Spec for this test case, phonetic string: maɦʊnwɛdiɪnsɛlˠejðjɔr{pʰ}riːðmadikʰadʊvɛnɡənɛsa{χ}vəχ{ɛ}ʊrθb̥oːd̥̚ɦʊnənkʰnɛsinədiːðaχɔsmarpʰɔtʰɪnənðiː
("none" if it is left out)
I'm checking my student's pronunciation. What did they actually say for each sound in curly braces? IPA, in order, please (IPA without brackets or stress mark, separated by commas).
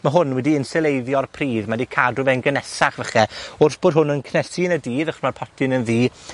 pʰ, χ, ɛ